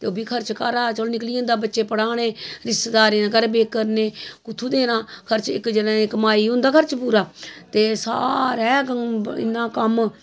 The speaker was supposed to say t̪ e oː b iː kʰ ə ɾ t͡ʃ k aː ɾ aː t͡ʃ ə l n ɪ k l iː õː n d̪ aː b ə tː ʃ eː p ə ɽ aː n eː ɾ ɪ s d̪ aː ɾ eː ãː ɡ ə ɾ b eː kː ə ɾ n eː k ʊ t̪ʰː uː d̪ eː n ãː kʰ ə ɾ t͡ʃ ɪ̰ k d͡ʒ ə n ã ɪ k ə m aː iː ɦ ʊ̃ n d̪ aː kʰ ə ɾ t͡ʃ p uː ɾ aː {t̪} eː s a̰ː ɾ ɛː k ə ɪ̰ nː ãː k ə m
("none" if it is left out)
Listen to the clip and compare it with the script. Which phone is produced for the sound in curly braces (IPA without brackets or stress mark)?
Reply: t̪